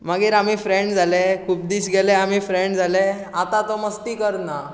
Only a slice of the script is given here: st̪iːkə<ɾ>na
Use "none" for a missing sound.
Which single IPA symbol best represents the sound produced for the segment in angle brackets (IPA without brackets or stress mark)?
ɾ